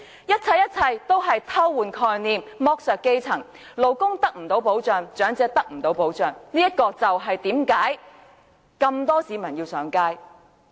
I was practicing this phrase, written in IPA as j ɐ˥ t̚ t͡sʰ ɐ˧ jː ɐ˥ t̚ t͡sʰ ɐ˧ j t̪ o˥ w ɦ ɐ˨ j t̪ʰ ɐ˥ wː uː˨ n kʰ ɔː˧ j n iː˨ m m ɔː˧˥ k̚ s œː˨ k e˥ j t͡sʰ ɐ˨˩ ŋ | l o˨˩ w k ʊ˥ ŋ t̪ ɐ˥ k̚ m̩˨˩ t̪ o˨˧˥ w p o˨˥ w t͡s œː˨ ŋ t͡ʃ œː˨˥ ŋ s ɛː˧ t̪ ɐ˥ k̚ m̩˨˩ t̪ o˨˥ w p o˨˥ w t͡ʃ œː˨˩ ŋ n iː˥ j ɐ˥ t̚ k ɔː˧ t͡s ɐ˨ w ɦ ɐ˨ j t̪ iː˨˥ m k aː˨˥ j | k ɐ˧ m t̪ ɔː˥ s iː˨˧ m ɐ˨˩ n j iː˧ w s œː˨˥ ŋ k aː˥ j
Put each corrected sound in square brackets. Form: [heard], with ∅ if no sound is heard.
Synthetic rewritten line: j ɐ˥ t̚ t͡sʰ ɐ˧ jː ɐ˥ t̚ t͡sʰ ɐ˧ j t̪ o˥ w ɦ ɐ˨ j t̪ʰ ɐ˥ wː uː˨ n kʰ ɔː˧ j n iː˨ m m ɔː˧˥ k̚ s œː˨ k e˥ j t͡sʰ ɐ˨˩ ŋ | l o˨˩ w k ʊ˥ ŋ t̪ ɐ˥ k̚ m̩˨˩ t̪ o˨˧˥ w p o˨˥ w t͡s œː˨ ŋ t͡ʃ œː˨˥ ŋ [t͡s] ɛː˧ t̪ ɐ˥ k̚ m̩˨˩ t̪ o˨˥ w p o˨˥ w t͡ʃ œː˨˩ ŋ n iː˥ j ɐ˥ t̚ k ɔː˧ t͡s ɐ˨ w ɦ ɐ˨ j t̪ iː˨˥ m k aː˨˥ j | k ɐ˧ m t̪ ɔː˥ s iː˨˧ m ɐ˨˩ n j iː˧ w s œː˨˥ ŋ k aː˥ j

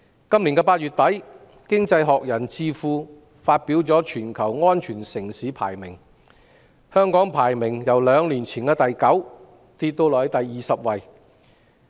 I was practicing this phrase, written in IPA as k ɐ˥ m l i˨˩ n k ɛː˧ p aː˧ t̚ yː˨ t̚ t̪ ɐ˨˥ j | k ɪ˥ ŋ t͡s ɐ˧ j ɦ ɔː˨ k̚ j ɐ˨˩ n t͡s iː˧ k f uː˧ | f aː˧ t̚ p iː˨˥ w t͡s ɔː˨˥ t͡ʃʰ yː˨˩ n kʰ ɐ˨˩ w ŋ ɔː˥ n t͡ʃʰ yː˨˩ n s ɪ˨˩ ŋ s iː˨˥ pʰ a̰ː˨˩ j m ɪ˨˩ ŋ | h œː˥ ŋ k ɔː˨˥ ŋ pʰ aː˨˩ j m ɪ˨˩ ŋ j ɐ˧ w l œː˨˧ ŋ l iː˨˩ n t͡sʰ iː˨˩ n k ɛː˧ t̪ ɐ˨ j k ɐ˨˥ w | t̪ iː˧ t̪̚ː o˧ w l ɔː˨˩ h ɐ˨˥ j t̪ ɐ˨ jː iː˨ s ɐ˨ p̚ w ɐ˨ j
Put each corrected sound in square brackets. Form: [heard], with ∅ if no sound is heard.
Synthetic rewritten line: k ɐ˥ m l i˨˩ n k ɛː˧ p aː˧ t̚ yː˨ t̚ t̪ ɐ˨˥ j | k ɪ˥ ŋ t͡s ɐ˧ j ɦ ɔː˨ k̚ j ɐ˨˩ n t͡s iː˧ [∅] f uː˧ | f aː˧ t̚ p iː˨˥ w t͡s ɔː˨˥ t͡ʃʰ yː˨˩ n kʰ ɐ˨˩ w ŋ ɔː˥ n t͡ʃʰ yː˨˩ n s ɪ˨˩ ŋ s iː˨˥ pʰ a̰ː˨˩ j m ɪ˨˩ ŋ | h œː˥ ŋ k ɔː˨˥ ŋ pʰ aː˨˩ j m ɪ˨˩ ŋ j [ɐ˨˩] w l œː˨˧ ŋ l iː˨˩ n t͡sʰ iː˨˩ n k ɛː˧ t̪ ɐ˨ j k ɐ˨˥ w | t̪ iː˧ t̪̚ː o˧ w l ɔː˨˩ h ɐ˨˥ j t̪ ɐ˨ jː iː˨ s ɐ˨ p̚ w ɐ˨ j

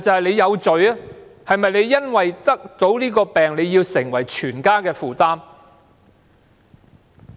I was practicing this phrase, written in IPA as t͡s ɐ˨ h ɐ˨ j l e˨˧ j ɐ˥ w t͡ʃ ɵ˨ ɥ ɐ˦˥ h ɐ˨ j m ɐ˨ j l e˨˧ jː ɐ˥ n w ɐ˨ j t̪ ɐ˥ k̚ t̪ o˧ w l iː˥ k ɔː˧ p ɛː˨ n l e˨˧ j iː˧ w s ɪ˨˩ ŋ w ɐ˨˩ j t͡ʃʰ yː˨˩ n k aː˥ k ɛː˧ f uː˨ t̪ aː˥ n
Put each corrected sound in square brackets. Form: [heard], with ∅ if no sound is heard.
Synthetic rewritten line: t͡s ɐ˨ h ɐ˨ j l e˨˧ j [ɐ˨˧] w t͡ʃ ɵ˨ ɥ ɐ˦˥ h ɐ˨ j m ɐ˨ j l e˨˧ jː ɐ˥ n w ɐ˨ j t̪ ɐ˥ k̚ t̪ [o˨˥] w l iː˥ k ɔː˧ p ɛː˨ [ŋ] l e˨˧ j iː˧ w s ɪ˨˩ ŋ w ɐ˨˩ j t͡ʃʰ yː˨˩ n k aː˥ k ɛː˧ f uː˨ t̪ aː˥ [m]

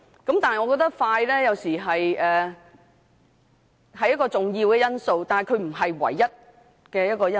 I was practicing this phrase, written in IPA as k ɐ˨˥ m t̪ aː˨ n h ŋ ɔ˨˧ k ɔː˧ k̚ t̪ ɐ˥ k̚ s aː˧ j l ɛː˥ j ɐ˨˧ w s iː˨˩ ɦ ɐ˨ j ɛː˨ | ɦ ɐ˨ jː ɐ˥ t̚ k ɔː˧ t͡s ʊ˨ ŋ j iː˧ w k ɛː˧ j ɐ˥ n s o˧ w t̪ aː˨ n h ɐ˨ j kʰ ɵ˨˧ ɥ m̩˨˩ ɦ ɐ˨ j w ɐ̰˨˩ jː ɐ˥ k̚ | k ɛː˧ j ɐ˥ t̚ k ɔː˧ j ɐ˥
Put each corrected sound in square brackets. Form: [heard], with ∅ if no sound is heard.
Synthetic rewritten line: k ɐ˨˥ m t̪ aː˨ n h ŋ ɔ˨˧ k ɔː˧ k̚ t̪ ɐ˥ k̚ [f] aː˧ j l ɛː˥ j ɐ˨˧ w s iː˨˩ ɦ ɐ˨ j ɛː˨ | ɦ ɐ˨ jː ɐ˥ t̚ k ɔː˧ t͡s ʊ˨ ŋ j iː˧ w k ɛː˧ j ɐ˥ n s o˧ w t̪ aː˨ n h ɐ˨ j kʰ ɵ˨˧ ɥ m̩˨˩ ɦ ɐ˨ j w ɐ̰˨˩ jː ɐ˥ [t̚] | k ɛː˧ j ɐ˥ t̚ k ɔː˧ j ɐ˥

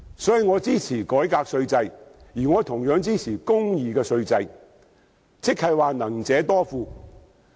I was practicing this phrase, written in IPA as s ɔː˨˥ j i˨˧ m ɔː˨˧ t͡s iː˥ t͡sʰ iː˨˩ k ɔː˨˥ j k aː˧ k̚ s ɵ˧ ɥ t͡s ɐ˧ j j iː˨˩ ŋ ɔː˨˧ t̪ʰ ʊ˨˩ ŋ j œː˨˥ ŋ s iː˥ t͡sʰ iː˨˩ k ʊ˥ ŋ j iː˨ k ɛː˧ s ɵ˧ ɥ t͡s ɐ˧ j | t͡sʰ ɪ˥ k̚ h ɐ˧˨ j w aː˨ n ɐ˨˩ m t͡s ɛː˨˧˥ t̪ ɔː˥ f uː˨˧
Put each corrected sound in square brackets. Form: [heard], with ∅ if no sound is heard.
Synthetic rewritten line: s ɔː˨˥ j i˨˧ [ŋ] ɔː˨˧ t͡s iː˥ t͡sʰ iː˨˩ k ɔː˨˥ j k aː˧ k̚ s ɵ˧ ɥ t͡s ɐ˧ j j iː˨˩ ŋ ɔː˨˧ t̪ʰ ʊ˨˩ ŋ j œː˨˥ ŋ [t͡s] iː˥ t͡sʰ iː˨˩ k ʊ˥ ŋ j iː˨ k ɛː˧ s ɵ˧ ɥ t͡s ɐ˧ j | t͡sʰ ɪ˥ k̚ h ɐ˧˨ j w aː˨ n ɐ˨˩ [ŋ] t͡s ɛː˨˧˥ t̪ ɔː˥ f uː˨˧

